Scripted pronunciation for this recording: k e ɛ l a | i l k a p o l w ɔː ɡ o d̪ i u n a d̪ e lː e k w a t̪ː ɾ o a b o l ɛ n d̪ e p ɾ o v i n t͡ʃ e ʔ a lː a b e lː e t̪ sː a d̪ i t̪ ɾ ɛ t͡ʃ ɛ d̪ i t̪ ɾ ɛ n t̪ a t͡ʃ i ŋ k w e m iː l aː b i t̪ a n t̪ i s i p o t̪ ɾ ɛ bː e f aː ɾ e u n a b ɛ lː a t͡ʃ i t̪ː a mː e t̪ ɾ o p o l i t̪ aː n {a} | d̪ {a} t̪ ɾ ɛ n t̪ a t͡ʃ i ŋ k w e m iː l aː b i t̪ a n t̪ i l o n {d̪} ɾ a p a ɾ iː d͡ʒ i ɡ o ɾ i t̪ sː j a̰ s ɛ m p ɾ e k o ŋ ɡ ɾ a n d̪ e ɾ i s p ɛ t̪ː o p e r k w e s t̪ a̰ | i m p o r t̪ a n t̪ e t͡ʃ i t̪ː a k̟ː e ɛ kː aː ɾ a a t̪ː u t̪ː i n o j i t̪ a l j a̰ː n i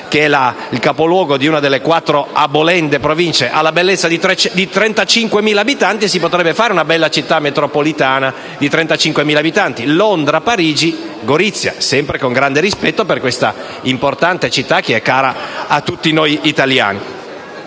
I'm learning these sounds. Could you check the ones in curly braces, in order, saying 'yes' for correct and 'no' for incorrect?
yes, no, yes

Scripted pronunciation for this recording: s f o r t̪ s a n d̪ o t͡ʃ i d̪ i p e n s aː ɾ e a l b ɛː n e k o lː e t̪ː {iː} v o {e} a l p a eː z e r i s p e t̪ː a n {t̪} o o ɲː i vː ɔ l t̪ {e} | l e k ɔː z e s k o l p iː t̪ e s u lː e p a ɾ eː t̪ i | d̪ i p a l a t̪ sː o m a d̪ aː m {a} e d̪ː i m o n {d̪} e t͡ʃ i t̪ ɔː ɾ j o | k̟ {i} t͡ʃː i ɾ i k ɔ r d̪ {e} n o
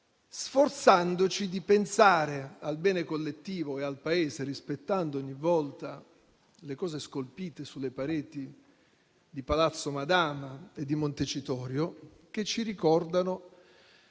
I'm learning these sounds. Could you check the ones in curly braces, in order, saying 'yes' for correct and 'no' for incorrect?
yes, yes, no, no, yes, no, no, no

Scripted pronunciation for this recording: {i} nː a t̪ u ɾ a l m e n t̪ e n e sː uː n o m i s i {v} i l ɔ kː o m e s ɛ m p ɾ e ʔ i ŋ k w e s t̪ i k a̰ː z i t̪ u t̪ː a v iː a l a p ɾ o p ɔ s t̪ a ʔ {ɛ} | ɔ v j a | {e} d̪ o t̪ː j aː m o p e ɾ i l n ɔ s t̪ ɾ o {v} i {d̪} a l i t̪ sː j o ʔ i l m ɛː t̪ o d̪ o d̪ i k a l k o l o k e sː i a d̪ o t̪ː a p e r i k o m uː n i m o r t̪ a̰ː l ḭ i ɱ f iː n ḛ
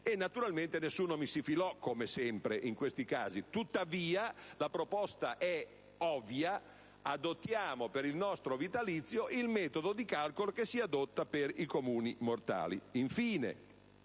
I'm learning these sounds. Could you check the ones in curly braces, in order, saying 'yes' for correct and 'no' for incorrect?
no, no, yes, no, yes, no

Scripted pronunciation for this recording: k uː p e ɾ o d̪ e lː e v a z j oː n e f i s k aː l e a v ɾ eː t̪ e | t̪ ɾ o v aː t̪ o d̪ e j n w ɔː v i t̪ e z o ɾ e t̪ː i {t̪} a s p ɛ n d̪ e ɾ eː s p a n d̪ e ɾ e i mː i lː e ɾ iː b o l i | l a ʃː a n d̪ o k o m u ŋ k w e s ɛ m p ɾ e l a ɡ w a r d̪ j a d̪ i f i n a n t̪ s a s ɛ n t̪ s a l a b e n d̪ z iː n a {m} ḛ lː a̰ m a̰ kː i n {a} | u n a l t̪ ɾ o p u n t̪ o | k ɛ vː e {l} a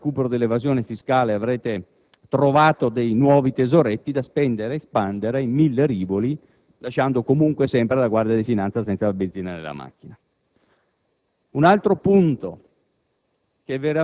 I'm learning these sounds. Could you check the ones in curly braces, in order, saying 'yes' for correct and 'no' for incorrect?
no, no, yes, no

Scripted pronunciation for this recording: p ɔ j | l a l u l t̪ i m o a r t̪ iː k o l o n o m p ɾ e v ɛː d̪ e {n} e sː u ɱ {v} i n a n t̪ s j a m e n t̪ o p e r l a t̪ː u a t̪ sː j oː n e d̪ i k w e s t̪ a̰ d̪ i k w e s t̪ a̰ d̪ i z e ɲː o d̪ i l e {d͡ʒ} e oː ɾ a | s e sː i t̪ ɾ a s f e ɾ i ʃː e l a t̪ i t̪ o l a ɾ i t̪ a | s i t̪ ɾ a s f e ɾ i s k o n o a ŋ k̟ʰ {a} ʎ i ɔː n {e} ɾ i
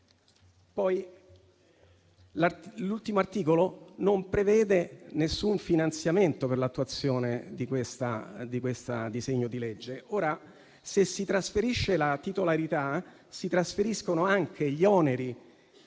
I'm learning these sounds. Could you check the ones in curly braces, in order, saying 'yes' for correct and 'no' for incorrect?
yes, no, no, no, yes

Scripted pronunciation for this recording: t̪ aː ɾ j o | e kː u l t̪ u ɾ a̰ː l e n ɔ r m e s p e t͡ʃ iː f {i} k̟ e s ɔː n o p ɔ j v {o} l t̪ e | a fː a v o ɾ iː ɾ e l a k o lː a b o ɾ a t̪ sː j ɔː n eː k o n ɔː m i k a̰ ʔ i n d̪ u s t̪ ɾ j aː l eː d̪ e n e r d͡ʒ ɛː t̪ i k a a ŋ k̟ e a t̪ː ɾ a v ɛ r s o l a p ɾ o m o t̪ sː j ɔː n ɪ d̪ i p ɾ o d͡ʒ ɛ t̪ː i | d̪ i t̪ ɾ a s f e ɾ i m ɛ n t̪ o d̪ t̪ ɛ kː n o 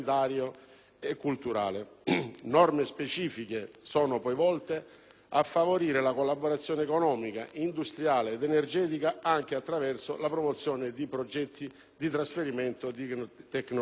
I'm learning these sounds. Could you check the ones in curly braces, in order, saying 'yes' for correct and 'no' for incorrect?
yes, no

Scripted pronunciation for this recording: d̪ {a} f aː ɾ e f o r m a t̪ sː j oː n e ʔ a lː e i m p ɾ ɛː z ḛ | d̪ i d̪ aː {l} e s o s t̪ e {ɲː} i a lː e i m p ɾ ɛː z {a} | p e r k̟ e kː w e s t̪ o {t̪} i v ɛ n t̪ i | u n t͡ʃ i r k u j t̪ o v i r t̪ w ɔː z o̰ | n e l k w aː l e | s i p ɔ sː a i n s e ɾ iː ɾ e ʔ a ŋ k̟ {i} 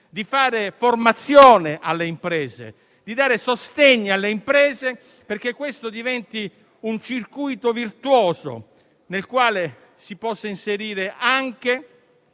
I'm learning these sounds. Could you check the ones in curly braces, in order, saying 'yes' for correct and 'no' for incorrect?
no, no, yes, no, no, no

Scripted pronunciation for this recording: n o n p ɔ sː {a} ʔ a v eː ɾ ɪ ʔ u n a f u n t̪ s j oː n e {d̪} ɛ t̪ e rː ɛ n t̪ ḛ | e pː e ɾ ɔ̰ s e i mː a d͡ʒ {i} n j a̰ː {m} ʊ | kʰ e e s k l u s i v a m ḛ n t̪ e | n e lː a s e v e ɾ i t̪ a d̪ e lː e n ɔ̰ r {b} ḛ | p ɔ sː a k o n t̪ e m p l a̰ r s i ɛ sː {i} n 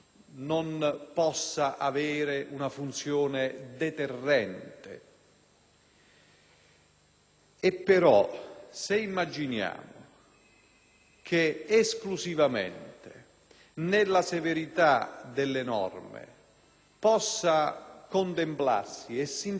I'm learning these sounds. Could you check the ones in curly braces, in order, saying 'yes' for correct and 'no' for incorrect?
yes, yes, yes, yes, no, yes

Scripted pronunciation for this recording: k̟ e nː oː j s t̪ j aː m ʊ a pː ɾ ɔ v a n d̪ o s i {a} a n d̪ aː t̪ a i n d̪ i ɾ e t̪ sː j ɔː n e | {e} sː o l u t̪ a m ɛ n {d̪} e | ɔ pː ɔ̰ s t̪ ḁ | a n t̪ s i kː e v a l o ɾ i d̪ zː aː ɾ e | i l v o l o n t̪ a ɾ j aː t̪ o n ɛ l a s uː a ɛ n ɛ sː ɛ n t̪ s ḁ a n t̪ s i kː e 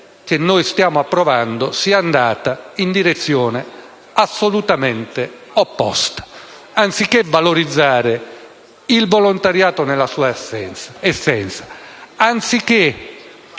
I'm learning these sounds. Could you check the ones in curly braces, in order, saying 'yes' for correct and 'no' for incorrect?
yes, no, no

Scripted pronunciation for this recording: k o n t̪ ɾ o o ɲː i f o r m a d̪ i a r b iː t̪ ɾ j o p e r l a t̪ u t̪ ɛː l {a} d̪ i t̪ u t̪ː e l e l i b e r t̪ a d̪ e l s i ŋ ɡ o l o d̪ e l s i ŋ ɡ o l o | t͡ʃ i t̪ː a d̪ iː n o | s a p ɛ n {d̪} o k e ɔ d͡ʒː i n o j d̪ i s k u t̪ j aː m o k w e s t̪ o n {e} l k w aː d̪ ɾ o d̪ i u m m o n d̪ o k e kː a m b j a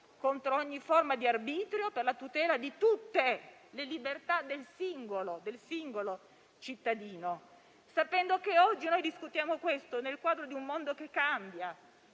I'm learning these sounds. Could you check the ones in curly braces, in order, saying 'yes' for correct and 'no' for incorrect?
yes, yes, yes

